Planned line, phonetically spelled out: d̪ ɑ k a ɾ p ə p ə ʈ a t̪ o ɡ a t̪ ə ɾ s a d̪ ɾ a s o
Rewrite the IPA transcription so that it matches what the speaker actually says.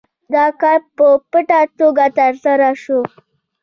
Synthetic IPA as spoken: d̪ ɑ k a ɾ p ə p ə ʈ a t̪ o ɡ a t̪ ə ɾ s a ɾ a ʃ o